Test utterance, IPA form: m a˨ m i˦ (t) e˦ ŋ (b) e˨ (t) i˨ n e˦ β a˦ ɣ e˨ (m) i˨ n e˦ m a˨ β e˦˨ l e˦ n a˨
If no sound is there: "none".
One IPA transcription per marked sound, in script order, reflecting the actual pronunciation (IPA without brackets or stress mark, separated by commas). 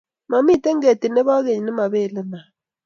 t, ɡ, t, ɲ